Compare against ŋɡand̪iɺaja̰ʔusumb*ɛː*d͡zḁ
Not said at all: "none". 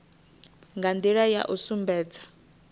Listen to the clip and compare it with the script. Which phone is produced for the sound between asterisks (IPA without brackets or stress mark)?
ɛː